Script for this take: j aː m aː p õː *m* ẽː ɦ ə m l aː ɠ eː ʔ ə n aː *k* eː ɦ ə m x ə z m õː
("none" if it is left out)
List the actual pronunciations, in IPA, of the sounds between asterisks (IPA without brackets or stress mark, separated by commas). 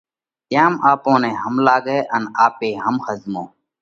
n, p